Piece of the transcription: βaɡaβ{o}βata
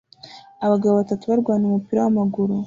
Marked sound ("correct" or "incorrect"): correct